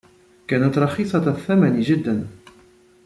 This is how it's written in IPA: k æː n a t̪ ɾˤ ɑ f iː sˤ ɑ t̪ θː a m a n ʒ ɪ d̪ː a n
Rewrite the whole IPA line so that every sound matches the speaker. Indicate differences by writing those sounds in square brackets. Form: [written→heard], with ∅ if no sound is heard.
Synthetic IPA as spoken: k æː n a t̪ ɾˤ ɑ [f→x] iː sˤ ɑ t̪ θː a m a n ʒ ɪ d̪ː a n